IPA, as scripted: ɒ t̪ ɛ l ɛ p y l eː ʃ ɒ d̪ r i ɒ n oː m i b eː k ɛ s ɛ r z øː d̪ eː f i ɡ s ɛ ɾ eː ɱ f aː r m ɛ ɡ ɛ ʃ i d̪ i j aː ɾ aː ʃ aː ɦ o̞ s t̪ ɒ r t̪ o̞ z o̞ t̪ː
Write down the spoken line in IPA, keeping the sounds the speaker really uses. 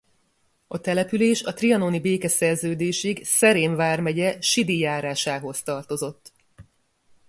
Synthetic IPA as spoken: ɒ t̪ ɛ l ɛ p y l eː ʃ ɒ t̪ r i ɒ n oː n i b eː k ɛ s ɛ r z øː d̪ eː ʃ i ɡ s ɛ ɾ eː ɱ v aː r m ɛ ɟ ɛ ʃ i d̪ i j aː ɾ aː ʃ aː ɦ o̞ s t̪ ɒ r t̪ o̞ z o̞ t̪ː